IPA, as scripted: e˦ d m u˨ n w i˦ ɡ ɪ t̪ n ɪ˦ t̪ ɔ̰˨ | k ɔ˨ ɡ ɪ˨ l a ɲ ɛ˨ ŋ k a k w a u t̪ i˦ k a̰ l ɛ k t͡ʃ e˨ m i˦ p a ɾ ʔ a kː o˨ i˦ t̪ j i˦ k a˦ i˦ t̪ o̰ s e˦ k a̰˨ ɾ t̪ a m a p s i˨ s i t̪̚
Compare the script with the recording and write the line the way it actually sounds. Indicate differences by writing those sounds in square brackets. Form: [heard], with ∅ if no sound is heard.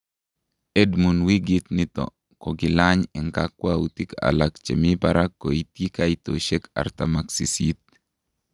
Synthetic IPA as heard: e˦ d m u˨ n w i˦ ɡ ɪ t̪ n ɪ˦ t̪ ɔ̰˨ | k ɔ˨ ɡ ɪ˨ l a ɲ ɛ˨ ŋ k a k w a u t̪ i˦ k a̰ l [a] k t͡ʃ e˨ m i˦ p a ɾ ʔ a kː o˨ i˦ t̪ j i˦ k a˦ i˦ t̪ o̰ [ʃ] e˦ k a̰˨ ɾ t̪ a m a [k] s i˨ s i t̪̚